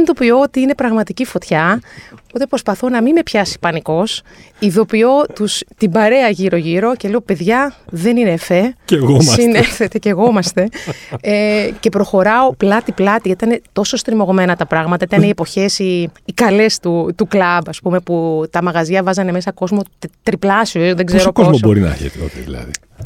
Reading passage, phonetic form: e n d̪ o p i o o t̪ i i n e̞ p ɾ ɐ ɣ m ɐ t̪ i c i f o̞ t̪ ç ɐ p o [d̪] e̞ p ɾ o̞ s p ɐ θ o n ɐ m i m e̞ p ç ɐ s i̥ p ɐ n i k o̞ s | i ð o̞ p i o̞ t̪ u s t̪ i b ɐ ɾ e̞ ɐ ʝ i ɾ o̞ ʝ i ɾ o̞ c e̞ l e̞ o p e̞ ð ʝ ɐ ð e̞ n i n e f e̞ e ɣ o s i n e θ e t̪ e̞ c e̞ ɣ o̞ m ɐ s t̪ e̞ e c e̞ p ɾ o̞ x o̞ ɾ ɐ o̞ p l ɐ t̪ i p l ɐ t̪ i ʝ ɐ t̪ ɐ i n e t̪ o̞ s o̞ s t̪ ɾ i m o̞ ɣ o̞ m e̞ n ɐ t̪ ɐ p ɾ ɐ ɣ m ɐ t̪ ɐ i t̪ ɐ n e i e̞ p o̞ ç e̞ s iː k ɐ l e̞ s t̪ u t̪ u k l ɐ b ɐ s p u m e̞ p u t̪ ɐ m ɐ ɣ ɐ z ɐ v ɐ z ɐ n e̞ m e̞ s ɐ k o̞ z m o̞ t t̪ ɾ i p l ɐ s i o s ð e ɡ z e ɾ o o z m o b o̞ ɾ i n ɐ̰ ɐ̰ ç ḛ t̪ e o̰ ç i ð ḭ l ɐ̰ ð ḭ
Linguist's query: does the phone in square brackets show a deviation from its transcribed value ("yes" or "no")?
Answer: yes